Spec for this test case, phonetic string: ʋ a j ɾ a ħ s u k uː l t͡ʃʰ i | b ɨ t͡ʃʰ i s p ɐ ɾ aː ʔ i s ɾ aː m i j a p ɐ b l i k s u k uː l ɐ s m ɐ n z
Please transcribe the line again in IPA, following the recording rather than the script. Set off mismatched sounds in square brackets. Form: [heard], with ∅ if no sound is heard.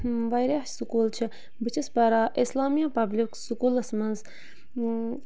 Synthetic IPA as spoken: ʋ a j ɾ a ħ s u k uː l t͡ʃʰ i | b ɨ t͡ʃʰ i s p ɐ ɾ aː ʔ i s [l] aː m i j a p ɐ b l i k s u k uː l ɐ s m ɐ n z